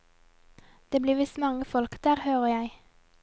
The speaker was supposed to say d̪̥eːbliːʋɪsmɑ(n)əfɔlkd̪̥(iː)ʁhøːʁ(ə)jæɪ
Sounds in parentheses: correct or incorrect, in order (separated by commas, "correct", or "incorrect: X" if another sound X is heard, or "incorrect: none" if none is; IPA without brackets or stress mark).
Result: incorrect: ŋ, incorrect: æː, correct